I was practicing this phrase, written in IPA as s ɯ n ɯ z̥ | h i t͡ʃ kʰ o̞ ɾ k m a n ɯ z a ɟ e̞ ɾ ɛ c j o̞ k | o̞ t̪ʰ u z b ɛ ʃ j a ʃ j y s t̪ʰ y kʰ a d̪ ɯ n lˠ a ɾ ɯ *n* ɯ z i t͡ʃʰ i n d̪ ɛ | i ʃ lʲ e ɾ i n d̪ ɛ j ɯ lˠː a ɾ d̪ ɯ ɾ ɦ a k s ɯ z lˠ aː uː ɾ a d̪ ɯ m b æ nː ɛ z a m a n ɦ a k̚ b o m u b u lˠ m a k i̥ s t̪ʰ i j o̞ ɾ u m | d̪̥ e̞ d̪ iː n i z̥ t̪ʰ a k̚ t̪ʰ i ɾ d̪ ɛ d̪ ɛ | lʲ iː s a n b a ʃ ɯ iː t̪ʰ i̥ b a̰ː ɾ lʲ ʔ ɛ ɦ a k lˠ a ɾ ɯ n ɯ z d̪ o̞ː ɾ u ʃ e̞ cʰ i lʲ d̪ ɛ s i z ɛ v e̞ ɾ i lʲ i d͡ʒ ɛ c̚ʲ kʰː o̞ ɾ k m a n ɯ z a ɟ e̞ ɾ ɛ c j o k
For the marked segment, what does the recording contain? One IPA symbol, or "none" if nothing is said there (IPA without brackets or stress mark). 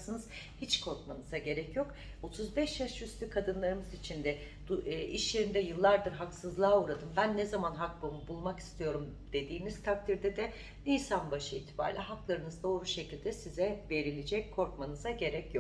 m